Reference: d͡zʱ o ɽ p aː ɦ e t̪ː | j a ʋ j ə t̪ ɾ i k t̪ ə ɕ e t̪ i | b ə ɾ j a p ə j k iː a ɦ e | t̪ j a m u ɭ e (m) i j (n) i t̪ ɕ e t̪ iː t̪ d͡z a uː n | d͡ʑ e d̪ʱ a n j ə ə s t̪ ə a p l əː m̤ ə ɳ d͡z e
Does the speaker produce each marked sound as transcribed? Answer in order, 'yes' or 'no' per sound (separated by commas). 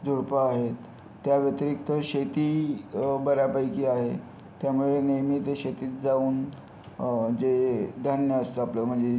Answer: no, no